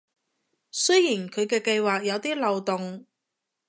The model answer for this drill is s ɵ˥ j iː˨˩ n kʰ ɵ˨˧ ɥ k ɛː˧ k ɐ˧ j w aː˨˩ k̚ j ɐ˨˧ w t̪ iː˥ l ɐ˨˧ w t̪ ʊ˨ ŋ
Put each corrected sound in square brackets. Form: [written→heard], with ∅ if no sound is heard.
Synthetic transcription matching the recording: s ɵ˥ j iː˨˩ n kʰ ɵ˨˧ ɥ k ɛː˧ k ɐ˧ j w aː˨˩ k̚ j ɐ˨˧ w t̪ iː˥ l ɐ˨˧ w t̪ ʊ˨ ŋ